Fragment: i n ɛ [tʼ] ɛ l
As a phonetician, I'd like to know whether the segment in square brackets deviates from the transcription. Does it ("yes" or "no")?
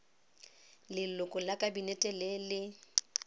no